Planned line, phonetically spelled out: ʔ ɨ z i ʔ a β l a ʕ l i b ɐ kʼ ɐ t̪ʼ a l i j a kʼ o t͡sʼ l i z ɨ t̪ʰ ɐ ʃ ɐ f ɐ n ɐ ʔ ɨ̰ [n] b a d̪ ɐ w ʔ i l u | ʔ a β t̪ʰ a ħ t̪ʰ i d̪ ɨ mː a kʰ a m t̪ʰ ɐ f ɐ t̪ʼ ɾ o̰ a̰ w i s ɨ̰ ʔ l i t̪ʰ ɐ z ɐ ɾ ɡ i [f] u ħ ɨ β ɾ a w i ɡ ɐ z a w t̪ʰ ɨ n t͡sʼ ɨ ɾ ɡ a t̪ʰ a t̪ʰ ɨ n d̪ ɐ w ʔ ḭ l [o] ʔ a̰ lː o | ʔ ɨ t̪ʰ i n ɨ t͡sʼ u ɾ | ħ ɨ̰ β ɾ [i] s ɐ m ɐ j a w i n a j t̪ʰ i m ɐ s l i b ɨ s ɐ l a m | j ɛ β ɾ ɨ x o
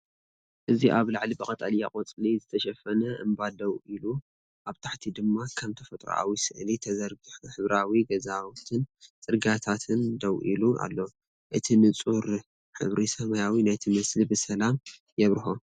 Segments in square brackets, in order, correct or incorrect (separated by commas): incorrect, incorrect, incorrect, correct